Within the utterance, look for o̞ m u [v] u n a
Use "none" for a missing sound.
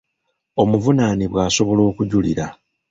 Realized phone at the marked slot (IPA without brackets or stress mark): v